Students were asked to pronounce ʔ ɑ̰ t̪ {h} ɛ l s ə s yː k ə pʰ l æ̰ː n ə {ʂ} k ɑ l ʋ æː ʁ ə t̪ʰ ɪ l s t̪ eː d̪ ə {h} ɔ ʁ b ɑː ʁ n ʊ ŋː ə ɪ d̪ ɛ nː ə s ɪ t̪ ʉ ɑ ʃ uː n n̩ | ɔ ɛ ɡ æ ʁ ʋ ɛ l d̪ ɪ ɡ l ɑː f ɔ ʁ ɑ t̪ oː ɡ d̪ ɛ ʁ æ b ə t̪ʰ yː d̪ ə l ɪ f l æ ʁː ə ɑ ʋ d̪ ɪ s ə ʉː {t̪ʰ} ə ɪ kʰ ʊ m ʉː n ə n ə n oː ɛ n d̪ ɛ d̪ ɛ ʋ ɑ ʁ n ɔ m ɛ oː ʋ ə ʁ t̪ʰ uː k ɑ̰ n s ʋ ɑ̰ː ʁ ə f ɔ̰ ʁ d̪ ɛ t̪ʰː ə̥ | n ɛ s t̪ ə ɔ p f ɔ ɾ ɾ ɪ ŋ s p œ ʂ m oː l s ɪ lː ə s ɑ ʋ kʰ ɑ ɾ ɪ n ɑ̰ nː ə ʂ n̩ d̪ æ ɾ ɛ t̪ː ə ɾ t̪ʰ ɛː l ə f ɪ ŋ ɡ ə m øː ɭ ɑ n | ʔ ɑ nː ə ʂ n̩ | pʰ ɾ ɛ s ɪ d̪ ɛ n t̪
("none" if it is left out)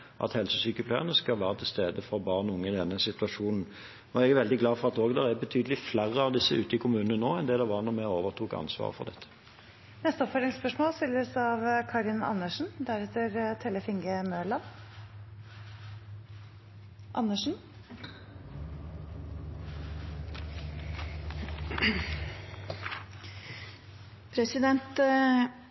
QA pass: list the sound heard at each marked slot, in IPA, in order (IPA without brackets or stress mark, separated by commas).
h, s, f, t̪